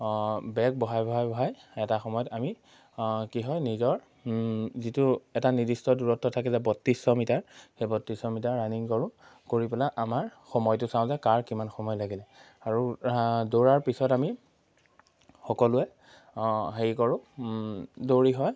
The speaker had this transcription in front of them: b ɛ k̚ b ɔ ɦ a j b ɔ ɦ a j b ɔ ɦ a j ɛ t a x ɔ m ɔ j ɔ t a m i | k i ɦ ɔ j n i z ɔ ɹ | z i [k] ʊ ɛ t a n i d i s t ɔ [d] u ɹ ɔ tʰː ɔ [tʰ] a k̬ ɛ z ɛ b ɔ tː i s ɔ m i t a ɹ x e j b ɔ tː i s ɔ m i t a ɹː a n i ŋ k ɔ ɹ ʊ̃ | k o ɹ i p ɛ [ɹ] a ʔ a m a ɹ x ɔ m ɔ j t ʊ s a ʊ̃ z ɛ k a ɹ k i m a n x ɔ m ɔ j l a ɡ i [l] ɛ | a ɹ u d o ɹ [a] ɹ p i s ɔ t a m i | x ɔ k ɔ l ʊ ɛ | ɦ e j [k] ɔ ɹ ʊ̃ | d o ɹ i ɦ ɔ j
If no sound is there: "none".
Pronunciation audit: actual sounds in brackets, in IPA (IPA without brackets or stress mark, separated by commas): t, d, tʰ, l, l, a, k